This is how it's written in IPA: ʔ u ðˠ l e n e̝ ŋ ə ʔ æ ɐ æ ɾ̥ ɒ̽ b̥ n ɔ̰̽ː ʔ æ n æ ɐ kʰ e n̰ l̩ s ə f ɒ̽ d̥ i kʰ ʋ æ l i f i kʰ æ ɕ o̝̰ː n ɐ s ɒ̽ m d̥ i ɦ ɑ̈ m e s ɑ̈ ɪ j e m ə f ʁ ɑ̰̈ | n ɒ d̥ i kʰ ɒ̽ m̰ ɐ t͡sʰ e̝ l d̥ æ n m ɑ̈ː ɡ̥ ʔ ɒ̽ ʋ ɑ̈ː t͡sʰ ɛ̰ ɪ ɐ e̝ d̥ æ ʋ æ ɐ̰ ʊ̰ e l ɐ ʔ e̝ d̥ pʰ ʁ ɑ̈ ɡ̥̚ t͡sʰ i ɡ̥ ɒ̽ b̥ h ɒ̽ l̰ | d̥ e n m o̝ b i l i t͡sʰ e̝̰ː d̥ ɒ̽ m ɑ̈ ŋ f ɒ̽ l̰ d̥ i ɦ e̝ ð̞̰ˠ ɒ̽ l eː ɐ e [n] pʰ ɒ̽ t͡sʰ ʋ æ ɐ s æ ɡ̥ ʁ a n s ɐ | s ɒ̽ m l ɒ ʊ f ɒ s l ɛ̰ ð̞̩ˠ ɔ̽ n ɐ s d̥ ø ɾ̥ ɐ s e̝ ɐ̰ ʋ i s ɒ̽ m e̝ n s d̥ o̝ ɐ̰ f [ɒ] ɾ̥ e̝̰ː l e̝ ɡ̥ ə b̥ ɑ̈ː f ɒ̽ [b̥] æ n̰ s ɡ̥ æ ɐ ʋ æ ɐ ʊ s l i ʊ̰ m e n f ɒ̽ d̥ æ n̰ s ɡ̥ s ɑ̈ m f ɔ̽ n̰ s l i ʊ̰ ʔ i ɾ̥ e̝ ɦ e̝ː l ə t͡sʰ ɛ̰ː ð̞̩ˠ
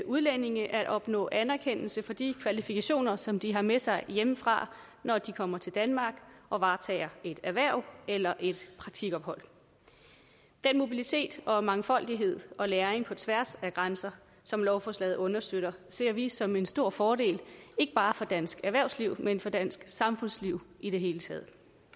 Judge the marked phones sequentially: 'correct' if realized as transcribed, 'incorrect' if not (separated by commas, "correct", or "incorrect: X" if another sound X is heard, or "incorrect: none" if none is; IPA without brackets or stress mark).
incorrect: ŋ, incorrect: ɒː, incorrect: d̥